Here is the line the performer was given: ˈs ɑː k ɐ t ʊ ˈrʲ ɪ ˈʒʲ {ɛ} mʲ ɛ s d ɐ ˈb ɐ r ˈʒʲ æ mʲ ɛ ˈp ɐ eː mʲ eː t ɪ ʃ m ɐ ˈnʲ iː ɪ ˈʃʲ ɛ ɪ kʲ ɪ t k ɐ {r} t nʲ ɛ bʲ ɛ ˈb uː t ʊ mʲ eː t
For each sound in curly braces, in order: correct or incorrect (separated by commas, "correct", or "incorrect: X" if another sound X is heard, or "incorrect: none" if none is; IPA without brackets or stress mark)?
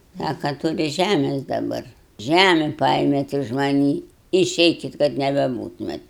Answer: incorrect: æ, incorrect: none